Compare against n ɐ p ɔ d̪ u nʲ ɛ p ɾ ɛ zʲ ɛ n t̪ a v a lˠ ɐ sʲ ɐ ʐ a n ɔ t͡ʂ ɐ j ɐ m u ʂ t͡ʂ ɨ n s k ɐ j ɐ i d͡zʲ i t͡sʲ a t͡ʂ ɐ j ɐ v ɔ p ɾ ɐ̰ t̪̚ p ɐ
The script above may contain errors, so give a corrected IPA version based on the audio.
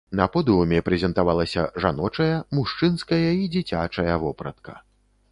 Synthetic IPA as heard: n ɐ p ɔ d̪ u mʲ ɛ p ɾ ɛ zʲ ɛ n t̪ a v a lˠ ɐ sʲ ɐ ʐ a n ɔ t͡ʂ ɐ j ɐ m u ʂ t͡ʂ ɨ n s k ɐ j ɐ i d͡zʲ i t͡sʲ a t͡ʂ ɐ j ɐ v ɔ p ɾ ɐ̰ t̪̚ k ɐ